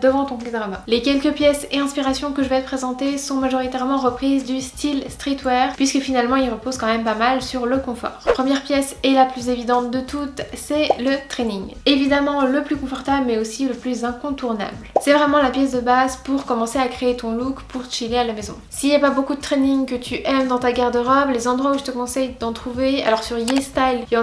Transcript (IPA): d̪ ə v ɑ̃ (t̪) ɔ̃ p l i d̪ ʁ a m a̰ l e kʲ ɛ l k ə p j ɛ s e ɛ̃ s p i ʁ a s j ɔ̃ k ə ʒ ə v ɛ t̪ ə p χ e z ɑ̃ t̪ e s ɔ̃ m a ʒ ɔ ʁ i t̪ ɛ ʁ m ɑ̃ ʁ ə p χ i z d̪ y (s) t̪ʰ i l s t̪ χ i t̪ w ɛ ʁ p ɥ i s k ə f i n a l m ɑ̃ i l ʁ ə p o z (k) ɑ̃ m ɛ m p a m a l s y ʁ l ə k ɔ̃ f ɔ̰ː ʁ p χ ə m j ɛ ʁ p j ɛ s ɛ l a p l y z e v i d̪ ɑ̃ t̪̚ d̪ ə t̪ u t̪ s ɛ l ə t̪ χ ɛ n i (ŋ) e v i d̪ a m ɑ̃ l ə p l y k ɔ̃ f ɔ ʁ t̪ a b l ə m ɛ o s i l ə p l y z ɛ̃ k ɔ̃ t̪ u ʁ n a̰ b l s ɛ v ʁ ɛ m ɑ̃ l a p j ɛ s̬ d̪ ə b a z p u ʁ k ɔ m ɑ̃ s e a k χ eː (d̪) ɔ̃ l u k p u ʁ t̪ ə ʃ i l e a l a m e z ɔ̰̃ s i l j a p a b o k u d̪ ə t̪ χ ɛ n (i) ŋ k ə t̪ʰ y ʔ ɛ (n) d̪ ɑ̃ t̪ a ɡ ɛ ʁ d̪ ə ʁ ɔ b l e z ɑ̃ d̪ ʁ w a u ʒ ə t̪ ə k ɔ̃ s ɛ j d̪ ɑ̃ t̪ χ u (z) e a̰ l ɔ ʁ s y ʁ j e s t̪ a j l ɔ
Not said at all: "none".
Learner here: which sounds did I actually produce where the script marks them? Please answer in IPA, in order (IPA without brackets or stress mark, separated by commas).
t̪, s, k, ŋ, t̪, i, m, v